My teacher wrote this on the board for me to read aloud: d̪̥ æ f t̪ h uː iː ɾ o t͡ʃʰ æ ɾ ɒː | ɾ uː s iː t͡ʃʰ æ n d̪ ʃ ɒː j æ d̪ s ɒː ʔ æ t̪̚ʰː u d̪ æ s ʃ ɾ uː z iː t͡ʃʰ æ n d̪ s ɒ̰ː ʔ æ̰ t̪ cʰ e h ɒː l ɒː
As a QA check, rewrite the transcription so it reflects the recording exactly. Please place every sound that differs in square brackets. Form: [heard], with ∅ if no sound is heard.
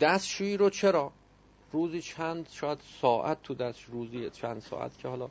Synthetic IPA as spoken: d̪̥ æ [s] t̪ [ʃ] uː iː ɾ o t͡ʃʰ [e] ɾ ɒː | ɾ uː [z] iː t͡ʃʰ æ n d̪ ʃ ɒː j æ d̪ s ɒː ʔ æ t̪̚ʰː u d̪ æ s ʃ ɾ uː z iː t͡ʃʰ æ n d̪ s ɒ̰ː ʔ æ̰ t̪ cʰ e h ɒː l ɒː